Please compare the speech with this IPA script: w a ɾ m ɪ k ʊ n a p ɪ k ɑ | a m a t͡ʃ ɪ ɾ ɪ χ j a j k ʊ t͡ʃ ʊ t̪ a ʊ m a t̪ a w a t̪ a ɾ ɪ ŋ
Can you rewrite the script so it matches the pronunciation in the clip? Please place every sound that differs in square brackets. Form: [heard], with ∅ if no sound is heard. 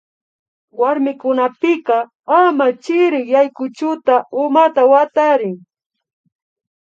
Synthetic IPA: w a ɾ m ɪ k ʊ n a p ɪ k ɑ | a m a t͡ʃ ɪ ɾ ɪ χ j a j k ʊ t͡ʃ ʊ t̪ a ʊ m a t̪ a w a t̪ a ɾ ɪ ŋ